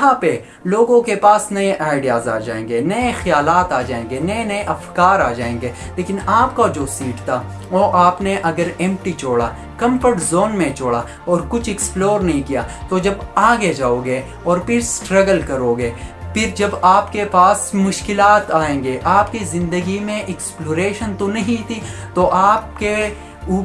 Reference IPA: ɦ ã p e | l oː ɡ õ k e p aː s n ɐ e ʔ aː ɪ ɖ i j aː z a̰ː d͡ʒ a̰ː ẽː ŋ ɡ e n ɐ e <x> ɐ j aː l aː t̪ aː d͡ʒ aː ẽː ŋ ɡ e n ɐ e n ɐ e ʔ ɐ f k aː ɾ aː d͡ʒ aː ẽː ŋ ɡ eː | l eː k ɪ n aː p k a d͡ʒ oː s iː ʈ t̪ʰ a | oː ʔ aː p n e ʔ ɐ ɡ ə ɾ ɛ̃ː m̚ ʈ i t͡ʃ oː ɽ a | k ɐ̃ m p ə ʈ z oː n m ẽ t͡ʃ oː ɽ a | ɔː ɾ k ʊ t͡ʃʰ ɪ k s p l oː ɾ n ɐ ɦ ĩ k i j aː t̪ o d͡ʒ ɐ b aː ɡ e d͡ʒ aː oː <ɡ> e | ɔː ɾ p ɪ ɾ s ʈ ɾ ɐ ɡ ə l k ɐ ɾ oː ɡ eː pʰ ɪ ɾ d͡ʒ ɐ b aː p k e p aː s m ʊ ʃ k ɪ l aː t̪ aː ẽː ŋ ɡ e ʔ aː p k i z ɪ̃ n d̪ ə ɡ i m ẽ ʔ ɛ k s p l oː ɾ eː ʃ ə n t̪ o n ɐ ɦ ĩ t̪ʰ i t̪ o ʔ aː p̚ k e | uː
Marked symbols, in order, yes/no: yes, yes

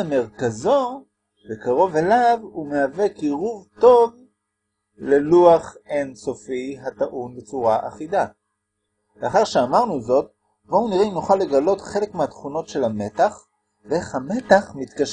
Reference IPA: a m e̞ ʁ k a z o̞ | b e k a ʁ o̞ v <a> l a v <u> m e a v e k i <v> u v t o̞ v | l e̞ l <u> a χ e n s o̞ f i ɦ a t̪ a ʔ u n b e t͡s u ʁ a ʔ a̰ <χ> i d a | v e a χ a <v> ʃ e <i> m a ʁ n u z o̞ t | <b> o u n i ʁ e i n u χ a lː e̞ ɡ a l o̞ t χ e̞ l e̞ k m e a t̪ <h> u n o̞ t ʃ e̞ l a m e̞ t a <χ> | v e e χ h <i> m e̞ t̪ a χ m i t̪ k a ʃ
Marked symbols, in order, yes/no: no, yes, no, yes, yes, no, no, yes, no, yes, no

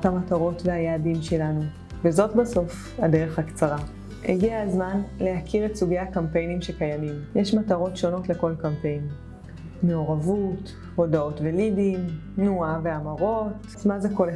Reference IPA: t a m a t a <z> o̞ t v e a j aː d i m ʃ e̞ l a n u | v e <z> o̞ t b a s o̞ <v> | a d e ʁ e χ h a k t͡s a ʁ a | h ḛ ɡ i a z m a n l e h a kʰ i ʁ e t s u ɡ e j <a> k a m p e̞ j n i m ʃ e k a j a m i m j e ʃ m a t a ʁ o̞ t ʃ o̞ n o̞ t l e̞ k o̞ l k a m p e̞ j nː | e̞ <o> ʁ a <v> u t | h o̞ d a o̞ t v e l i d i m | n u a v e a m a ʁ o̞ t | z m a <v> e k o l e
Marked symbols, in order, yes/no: no, yes, no, yes, yes, yes, no

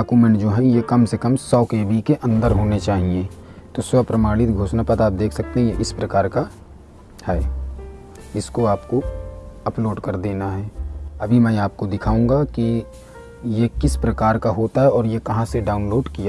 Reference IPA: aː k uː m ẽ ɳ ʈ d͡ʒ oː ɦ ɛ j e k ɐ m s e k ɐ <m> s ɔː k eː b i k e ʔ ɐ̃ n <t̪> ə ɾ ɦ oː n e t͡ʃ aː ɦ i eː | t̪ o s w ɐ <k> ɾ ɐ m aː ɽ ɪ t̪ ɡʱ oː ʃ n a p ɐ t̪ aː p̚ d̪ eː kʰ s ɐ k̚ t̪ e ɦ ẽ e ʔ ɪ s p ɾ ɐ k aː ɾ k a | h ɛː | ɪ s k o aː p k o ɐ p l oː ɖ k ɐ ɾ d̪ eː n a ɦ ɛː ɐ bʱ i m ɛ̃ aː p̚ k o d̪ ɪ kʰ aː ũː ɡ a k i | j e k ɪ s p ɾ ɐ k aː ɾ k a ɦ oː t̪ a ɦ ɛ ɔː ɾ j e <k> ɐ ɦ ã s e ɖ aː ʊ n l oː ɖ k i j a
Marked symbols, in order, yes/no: yes, no, no, yes

